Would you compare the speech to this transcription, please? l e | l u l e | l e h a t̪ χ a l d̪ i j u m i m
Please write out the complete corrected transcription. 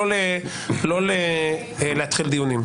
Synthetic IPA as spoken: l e | l o l e | l e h a t̪ χ i l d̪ i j u n i m